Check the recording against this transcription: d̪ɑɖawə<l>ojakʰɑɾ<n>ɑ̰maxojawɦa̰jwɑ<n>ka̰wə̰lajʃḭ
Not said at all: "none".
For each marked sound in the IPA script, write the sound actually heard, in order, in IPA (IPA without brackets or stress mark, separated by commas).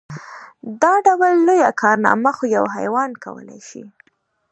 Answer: lː, n, n